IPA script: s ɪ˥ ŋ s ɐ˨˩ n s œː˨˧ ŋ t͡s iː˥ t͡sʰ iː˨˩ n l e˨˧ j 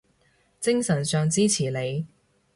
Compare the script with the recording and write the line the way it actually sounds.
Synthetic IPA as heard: t͡s ɪ˥ ŋ s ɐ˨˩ n s œː˨˧ ŋ t͡s iː˥ t͡sʰ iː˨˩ l e˨˧ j